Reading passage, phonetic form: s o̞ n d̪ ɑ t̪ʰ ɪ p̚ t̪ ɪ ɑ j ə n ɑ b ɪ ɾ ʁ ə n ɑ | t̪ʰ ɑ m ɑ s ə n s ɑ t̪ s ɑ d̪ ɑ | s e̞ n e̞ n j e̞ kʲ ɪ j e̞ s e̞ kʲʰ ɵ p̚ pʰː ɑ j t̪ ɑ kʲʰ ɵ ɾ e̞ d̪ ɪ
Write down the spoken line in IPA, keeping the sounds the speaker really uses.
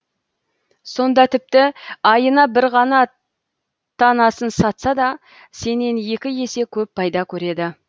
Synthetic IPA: s o̞ n d̪ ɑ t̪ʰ ɪ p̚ t̪ ɪ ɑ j ə n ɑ b ɪ ɾ ʁ ɑ n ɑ | t̪ʰ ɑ n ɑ s ə n s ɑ t̪ s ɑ d̪ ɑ | s e̞ n e̞ n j e̞ kʲ ɪ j e̞ s e̞ kʲʰ ɵ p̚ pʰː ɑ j d̪ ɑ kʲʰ ɵ ɾ e̞ d̪ ɪ